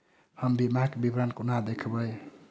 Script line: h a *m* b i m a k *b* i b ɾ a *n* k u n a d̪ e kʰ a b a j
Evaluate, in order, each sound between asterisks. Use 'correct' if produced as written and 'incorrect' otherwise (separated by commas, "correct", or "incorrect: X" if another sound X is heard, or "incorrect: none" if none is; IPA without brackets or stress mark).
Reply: correct, correct, correct